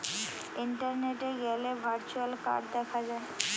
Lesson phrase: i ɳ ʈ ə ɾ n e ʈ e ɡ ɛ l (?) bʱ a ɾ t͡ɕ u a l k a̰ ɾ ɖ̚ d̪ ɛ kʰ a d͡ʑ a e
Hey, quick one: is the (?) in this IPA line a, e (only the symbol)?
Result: e